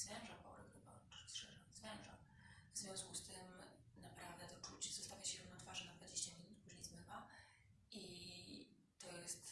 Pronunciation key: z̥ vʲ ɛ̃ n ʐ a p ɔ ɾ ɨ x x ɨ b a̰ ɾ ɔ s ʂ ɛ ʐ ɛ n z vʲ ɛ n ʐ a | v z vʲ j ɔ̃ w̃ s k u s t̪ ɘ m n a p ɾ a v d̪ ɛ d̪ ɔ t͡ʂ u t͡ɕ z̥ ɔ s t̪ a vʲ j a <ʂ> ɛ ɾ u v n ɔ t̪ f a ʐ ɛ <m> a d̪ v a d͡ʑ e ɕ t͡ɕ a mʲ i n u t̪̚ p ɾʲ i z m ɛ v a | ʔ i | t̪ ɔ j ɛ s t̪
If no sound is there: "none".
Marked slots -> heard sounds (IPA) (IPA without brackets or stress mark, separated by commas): ɕ, n